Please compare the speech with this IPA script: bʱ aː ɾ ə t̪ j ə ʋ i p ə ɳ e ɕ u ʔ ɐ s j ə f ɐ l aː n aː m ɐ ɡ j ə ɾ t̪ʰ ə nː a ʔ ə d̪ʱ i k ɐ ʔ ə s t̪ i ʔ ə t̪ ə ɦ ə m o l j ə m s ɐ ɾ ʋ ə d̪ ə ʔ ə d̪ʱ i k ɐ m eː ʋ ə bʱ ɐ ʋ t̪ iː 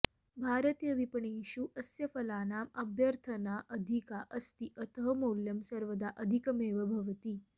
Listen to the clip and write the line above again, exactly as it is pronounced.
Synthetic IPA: bʱ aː ɾ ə t̪ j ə ʋ i p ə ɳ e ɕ u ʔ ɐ s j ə f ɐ l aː n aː m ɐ b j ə ɾ t̪ʰ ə n a ʔ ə d̪ʱ i k a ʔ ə s t̪ i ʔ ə t̪ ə ɦ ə m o l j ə m s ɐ ɾ ʋ ə d̪ a ʔ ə d̪ʱ i k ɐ m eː ʋ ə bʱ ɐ ʋ t̪ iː

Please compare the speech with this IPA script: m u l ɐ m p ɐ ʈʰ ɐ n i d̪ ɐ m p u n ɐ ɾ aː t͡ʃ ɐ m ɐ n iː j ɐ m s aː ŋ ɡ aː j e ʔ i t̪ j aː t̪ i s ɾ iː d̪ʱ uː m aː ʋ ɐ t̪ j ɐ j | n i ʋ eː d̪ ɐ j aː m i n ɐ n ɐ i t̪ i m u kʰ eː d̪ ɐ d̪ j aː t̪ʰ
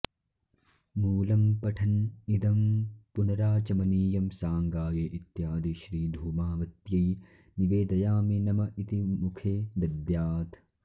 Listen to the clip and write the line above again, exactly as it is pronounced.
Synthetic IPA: m uː l ɐ m p ɐ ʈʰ ɐ n i d̪ ɐ m p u n ɐ ɾ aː t͡ʃ ɐ m ɐ n iː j ɐ m s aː ŋ ɡ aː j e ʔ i t̪ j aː d̪ i ʃ ɾ iː d̪ʱ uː m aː ʋ ɐ t̪ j ɐ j | n i ʋ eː d̪ ɐ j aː m i n ɐ m ɐ i t̪ i m u kʰ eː d̪ ɐ d̪ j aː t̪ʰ

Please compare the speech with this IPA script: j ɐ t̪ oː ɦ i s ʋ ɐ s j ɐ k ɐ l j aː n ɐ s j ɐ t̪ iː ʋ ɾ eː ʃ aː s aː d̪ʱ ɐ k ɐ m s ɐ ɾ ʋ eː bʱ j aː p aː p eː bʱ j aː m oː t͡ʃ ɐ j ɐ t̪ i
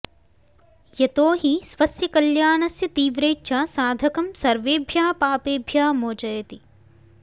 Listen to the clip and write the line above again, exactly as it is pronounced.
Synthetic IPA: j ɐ t̪ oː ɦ i s ʋ ɐ s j ɐ k ɐ l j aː n ɐ s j ɐ t̪ iː ʋ ɾ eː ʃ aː s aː d̪ʱ ɐ k ɐ m s ɐ ɾ ʋ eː bʱ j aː p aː p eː bʱ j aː m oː t͡ʃ ɐ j ɐ t̪ i

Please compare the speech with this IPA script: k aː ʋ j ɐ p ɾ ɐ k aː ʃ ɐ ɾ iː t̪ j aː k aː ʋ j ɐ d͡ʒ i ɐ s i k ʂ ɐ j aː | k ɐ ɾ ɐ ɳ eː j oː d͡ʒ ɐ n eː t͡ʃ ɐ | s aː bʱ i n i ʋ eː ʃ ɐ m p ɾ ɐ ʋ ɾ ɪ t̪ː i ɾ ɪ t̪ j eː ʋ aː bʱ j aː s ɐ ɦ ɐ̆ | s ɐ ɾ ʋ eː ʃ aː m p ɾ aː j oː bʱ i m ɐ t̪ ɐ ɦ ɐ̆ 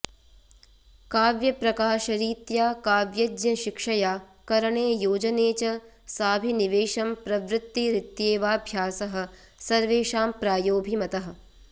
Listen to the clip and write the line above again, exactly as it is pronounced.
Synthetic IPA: k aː ʋ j ɐ p ɾ ɐ k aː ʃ ɐ ɾ iː t̪ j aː k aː ʋ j ɐ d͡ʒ j ɐ ʃ i k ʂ ɐ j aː | k ɐ ɾ ɐ ɳ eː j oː d͡ʒ ɐ n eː t͡ʃ ɐ | s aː bʱ i n i ʋ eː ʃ ɐ m p ɾ ɐ ʋ ɾ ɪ t̪ː i ɾ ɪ t̪ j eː ʋ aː bʱ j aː s ɐ ɦ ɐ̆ | s ɐ ɾ ʋ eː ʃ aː m p ɾ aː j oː bʱ i m ɐ t̪ ɐ ɦ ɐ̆

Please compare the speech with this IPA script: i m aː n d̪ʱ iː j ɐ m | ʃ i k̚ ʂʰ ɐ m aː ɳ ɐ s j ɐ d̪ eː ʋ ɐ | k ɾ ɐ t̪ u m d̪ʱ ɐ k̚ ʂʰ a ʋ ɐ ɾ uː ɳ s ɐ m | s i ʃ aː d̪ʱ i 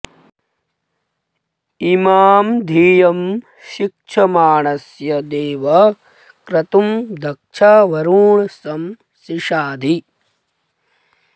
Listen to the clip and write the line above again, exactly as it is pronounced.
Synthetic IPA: i m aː m d̪ʱ iː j ɐ m | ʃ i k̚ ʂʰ ɐ m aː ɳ ɐ s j ɐ d̪ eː ʋ ɐ | k ɾ ɐ t̪ u m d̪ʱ ɐ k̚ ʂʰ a ʋ ɐ ɾ uː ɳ s ɐ m | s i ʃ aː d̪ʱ i

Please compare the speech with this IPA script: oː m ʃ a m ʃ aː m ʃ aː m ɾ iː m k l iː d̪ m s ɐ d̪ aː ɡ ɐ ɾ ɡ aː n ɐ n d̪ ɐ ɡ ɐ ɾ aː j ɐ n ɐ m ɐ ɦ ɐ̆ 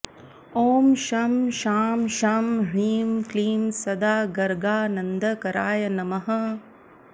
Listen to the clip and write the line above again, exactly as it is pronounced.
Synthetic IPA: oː m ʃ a m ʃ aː m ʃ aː m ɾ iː m k l iː m s ɐ d̪ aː ɡ ɐ ɾ ɡ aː n ɐ n d̪ ɐ k ɐ ɾ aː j ɐ n ɐ m ɐ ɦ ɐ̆

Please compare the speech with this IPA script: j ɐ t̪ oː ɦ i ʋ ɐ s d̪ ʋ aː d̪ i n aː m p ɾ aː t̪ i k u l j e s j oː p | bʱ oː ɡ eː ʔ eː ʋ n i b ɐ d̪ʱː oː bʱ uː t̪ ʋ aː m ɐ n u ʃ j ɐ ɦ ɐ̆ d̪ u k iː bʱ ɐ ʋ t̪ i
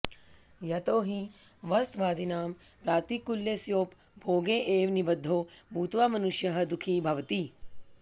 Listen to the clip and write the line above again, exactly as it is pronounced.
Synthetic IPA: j ɐ t̪ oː ɦ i ʋ ɐ s t̪ ʋ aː d̪ i n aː m p ɾ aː t̪ i k u l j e s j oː p | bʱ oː ɡ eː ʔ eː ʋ n i b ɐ d̪ʱː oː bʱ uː t̪ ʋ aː m ɐ n u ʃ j ɐ ɦ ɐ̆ d̪ u kʰ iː bʱ ɐ ʋ t̪ i

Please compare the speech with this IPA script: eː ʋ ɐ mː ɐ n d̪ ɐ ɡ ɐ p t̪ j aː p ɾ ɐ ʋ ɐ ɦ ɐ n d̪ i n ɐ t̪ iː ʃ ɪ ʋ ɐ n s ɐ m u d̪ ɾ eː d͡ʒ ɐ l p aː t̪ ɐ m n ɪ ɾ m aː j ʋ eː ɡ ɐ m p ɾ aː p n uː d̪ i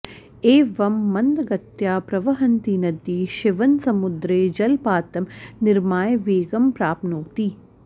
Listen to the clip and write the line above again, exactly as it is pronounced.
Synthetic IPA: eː ʋ ɐ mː ɐ n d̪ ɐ ɡ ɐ t̪ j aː p ɾ ɐ ʋ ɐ ɦ ɐ n t̪ i n ɐ d̪ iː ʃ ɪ ʋ ɐ n s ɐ m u d̪ ɾ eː d͡ʒ ɐ l p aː t̪ ɐ m n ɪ ɾ m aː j ʋ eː ɡ ɐ m p ɾ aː p n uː t̪ i

